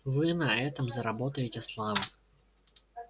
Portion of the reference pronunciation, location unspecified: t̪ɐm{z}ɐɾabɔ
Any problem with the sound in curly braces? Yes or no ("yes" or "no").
no